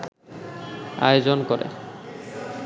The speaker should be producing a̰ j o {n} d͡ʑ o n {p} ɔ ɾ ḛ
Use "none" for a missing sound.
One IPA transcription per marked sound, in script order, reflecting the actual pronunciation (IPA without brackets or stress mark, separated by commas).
none, k